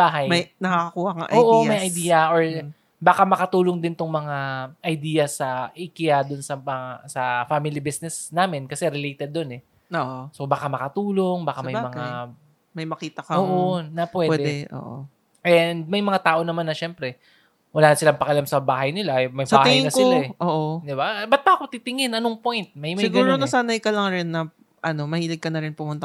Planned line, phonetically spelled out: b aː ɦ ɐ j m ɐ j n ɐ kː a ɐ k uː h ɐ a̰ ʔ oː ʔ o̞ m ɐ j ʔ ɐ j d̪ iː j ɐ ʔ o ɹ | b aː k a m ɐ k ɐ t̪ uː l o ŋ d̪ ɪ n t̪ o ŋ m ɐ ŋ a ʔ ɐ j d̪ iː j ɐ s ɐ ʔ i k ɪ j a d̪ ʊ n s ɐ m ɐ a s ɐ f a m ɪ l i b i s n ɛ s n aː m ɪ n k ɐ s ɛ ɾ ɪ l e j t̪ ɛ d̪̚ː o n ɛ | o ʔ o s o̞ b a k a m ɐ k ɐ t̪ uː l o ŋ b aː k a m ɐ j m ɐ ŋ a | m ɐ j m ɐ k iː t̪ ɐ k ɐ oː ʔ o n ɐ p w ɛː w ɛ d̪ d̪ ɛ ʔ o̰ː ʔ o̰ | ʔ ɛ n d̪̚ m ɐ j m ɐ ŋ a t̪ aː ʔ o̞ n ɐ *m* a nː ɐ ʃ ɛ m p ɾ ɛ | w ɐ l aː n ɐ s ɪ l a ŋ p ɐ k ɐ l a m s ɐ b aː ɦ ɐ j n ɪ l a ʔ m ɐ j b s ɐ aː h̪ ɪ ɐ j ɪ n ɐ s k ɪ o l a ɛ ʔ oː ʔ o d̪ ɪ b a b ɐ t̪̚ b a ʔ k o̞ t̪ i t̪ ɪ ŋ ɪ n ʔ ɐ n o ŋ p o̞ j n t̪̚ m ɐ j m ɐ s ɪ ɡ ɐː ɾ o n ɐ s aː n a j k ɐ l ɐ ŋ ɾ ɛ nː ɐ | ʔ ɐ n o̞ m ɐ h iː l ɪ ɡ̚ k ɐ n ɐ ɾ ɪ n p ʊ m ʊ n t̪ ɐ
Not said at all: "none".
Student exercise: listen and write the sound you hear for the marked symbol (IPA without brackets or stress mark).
m